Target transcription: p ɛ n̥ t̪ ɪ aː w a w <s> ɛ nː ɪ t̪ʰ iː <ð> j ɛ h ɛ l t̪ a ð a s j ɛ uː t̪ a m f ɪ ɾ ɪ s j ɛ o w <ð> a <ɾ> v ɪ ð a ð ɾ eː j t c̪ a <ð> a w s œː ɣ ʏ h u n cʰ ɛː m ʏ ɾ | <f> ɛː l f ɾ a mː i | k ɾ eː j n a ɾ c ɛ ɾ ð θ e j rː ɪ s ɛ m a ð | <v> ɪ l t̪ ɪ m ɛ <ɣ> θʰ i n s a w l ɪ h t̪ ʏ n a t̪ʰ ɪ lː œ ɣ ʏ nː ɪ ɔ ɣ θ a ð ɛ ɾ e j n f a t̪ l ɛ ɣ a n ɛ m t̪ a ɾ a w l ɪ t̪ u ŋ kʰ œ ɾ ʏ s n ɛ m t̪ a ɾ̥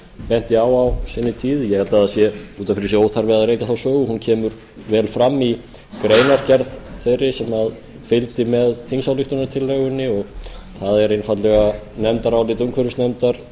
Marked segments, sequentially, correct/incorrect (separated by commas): correct, correct, incorrect, correct, incorrect, incorrect, incorrect, incorrect